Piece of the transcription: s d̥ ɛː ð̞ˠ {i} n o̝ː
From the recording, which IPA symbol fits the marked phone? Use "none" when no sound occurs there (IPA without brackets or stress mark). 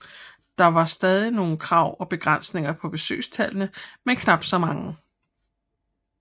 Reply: i